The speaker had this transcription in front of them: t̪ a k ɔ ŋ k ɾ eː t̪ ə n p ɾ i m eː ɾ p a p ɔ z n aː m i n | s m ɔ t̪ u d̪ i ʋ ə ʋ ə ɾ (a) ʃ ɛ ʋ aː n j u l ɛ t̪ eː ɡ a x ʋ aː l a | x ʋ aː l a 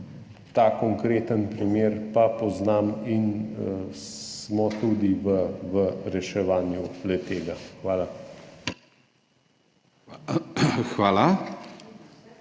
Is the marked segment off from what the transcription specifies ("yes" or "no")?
yes